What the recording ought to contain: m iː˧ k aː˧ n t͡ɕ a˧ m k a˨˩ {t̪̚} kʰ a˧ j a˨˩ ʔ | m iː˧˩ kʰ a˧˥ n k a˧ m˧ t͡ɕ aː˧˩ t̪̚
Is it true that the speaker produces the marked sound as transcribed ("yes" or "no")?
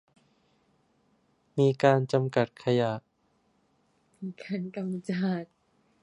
yes